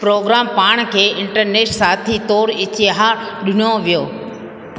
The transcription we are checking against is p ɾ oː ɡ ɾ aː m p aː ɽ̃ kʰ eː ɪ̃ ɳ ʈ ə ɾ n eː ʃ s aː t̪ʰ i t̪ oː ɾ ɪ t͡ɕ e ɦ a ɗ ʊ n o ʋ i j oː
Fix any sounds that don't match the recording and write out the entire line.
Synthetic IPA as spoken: p ɾ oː ɡ ɾ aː m p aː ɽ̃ kʰ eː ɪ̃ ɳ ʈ ə ɾ n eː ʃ s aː t̪ʰ i t̪ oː ɾ ɪ t͡ɕ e ɦ a ɗ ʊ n o ʋ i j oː